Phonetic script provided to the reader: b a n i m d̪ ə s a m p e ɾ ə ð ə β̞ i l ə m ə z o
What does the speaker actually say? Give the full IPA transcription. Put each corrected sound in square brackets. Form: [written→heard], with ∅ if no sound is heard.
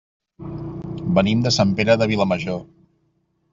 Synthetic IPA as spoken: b [a→ə] n i m d̪ ə s a m p e ɾ ə ð ə β̞ i l ə m ə [z→ʒ] o